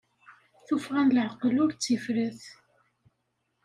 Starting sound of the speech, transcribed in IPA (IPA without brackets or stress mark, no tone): θ